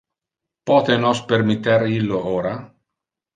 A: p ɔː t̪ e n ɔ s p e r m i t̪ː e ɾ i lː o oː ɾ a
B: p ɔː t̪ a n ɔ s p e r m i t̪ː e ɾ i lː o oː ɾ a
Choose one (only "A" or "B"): A